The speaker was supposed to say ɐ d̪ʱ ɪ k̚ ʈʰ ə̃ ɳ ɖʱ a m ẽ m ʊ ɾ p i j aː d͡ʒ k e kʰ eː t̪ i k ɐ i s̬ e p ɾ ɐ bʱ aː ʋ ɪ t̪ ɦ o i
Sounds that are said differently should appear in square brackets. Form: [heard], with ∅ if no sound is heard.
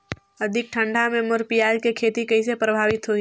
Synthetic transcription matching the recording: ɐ d̪ʱ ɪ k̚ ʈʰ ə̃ ɳ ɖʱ a m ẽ m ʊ ɾ p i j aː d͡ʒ k e kʰ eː t̪ i k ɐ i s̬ e p ɾ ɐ bʱ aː ʋ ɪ t̪ ɦ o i